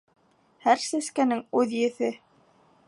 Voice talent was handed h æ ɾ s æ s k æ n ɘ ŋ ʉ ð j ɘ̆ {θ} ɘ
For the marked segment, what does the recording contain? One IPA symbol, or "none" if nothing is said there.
θ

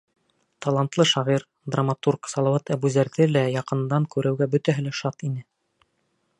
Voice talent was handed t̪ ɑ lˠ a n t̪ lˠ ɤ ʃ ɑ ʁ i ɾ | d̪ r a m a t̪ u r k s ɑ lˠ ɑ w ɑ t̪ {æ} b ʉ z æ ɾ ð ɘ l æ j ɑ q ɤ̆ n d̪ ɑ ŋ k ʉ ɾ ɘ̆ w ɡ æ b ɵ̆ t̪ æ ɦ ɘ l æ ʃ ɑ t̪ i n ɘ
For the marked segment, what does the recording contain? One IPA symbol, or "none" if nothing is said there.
æ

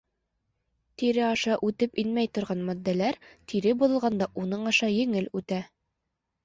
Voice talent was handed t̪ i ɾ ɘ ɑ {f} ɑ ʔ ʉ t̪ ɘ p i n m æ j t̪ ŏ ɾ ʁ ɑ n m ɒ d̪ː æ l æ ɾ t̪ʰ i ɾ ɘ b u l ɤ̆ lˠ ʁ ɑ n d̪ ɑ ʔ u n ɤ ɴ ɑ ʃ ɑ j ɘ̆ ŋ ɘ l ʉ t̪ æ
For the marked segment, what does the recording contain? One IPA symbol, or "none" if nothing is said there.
ʃ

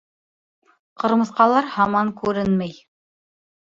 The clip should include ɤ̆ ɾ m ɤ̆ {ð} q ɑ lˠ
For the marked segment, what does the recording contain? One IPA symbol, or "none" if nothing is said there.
θ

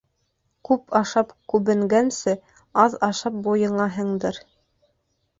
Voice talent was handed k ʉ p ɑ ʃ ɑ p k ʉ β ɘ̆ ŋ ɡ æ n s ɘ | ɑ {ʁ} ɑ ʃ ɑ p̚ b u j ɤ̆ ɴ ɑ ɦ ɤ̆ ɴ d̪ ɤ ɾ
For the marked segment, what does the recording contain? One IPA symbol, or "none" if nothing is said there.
ð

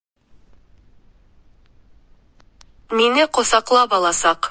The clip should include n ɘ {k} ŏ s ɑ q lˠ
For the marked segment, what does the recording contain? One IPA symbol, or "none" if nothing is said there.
q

